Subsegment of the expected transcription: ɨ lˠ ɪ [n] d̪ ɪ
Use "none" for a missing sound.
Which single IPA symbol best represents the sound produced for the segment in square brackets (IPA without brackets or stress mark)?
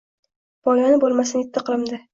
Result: m